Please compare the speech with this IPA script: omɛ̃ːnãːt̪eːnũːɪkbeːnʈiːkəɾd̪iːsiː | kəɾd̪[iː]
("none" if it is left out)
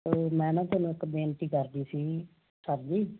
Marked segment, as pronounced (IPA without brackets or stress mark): iː